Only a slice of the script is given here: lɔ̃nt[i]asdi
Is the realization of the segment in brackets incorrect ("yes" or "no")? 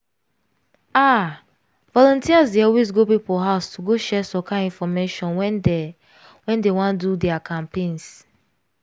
no